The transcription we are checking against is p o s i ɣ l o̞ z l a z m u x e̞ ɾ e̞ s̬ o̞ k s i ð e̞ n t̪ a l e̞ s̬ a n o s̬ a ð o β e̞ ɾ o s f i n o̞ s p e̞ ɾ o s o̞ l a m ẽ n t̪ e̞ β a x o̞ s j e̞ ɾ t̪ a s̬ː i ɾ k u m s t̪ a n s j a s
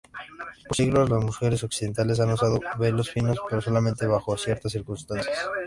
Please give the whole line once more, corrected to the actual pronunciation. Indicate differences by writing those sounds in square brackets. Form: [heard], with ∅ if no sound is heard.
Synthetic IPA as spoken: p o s i ɣ l o̞ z l a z m u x e̞ ɾ e̞ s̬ o̞ k s i ð e̞ n t̪ a l e̞ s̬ a n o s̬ a ð o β e̞ [l] o s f i n o̞ s p e̞ ɾ o s o̞ l a m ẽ n t̪ e̞ β a x o̞ s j e̞ ɾ t̪ a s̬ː i ɾ k u [n] s t̪ a n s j a s